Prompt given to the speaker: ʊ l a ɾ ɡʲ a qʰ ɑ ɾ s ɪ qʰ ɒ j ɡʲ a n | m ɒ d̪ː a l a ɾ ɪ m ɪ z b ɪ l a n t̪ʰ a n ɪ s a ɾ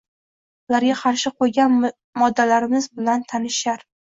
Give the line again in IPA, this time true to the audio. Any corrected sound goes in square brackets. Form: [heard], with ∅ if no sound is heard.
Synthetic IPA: ʊ l a ɾ ɡʲ a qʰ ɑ ɾ [ʃ] ɪ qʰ [o] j ɡʲ a n | m ɒ d̪ː a l a ɾ ɪ m ɪ z b ɪ l a n t̪ʰ a n ɪ [ʃ] a ɾ